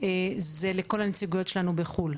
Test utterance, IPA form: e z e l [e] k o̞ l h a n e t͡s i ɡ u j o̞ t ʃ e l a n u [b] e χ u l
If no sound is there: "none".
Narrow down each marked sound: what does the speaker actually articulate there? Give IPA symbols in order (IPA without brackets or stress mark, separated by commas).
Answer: e, b